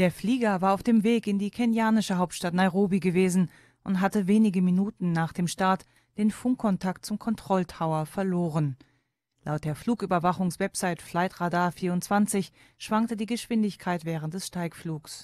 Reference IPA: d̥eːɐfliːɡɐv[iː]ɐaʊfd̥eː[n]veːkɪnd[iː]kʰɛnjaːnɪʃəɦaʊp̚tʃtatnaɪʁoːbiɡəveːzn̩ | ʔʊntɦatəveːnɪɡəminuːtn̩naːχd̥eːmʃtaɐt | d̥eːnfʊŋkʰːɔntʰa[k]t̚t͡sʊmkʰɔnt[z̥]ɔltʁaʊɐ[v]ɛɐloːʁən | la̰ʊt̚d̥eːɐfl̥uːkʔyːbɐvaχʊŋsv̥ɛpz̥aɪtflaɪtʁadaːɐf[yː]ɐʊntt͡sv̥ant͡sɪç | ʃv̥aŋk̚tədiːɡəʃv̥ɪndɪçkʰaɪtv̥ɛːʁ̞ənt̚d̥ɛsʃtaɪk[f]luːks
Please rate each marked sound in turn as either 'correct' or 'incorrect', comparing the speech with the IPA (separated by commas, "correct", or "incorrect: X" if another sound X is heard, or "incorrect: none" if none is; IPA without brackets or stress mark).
incorrect: aː, incorrect: m, correct, correct, incorrect: ʁ̥, incorrect: f, incorrect: iː, correct